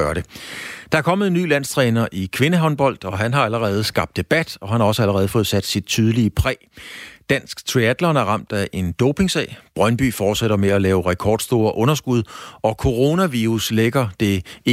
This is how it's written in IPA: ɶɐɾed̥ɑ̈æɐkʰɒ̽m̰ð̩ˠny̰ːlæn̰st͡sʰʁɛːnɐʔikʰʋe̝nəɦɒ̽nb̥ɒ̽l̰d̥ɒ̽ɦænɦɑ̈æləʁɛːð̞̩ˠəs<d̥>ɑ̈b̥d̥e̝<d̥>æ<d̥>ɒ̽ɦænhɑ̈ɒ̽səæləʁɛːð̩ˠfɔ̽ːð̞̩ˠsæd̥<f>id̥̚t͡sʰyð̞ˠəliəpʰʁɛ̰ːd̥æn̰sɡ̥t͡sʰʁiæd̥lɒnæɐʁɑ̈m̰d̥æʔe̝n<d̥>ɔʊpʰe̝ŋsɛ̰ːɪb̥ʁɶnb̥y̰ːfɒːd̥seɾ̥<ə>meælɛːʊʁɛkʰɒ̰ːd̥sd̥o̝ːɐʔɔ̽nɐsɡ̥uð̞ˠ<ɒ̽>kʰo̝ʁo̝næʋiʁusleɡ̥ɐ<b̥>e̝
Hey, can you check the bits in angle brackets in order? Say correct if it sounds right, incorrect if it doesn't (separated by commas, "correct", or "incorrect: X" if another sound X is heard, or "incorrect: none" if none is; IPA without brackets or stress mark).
incorrect: ɡ̥, incorrect: b̥, correct, incorrect: s, correct, incorrect: ɐ, correct, incorrect: d̥